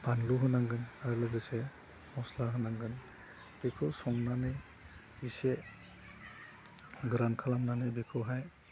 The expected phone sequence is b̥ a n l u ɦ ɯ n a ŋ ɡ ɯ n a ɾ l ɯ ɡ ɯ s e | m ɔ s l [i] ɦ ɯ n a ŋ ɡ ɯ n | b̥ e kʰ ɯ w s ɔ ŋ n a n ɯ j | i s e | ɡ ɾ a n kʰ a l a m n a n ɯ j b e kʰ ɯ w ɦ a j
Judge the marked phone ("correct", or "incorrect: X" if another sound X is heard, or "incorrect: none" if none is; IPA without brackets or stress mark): incorrect: a